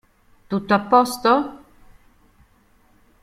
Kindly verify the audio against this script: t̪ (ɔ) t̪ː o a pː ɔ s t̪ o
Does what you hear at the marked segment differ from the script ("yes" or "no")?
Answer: yes